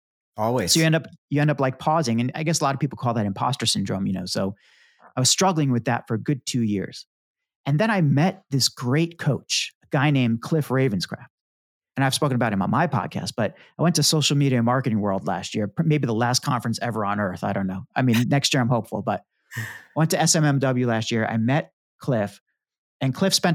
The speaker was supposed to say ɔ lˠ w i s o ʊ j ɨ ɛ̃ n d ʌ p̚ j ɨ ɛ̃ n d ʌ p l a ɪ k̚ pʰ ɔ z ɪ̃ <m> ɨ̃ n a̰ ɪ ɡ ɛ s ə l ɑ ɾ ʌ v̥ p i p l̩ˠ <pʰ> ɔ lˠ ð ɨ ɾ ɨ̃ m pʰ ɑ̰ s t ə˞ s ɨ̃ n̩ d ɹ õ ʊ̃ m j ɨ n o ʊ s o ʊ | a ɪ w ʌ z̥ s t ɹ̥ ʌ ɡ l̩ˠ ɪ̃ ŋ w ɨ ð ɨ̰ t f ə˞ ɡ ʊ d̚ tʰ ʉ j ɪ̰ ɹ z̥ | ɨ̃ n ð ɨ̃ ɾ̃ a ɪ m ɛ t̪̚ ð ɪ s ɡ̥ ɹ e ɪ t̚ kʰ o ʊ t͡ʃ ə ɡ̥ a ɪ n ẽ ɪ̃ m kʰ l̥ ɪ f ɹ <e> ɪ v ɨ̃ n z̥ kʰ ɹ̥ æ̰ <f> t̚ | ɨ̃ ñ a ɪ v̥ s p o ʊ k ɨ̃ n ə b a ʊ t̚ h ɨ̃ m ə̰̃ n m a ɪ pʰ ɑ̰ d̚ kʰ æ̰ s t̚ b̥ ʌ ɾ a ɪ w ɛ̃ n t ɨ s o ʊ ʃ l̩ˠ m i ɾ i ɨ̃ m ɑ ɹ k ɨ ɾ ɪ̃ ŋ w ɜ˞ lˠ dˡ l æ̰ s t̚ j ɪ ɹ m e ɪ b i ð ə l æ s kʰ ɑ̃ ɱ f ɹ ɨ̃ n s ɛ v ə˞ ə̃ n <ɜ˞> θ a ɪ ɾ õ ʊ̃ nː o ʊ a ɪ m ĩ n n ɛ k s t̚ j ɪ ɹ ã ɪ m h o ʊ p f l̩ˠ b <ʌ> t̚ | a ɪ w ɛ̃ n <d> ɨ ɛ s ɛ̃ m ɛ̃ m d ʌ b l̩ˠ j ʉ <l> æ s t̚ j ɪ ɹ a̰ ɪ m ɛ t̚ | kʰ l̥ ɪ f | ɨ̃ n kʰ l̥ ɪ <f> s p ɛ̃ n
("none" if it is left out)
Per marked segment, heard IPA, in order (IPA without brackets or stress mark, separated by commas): ŋ, kʰ, e, f, ɜ˞, ʌ, t, l, f